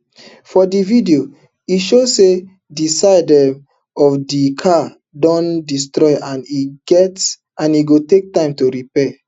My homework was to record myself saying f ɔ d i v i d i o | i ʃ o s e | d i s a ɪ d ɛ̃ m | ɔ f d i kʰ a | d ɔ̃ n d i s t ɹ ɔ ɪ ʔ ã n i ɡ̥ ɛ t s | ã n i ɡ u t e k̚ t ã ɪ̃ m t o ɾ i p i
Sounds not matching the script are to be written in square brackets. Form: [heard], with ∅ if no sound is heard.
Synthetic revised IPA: f ɔ d i v i d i o | i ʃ o s e | d i s a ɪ d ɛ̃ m | ɔ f d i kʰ a | d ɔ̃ n d i s t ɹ ɔ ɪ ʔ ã n i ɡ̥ ɛ t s | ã n i ɡ [o] t e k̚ t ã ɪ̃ m t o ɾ i p [ɛ]